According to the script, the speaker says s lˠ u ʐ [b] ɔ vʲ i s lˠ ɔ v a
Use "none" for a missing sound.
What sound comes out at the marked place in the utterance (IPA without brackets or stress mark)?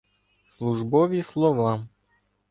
b